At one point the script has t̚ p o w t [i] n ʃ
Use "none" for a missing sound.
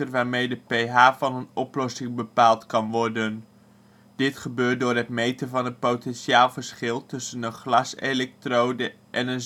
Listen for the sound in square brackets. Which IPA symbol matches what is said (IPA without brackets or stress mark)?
ɛ